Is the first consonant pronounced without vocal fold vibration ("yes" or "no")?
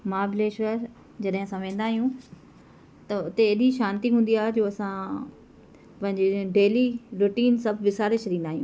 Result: no